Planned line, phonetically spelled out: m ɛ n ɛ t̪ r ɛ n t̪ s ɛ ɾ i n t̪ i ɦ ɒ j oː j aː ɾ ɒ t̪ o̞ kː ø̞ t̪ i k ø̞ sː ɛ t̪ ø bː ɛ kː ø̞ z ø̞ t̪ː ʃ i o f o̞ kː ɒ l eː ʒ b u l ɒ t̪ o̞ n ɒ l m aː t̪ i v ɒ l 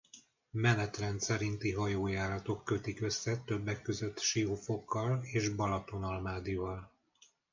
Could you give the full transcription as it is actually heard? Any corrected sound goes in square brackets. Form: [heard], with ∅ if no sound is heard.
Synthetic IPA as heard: m ɛ n ɛ t̪ r ɛ n t̪ s ɛ ɾ i n t̪ i ɦ ɒ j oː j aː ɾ ɒ t̪ o̞ kː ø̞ t̪ i k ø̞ sː ɛ t̪ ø bː ɛ kː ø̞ z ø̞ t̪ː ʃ i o f o̞ kː ɒ l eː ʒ b [ɒ] l ɒ t̪ o̞ n ɒ l m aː [d̪] i v ɒ l